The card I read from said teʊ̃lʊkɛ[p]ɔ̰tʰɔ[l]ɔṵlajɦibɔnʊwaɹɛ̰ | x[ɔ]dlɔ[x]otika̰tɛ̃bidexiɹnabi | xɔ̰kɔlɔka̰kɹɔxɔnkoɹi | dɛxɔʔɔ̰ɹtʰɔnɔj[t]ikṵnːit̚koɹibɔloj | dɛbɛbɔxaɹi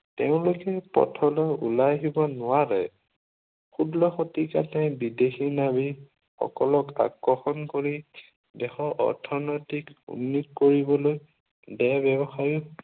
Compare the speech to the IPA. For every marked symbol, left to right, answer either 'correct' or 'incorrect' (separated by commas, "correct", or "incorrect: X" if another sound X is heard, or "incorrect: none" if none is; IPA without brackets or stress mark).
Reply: correct, correct, incorrect: u, correct, correct